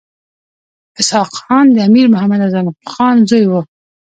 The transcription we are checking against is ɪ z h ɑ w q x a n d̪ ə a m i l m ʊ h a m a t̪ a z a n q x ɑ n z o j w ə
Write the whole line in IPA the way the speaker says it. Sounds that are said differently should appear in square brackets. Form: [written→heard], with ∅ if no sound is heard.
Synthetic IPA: ɪ [z→s] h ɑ [w→∅] q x [a→ɑ] n d̪ ə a m i [l→ɾ] m ʊ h a m a [t̪→d̪] a z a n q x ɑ n z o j w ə